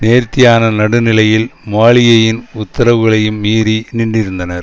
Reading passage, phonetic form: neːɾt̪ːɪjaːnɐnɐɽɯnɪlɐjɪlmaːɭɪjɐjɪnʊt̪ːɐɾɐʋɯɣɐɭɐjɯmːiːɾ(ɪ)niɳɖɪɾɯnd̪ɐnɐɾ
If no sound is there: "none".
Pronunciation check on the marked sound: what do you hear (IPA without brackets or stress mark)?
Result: i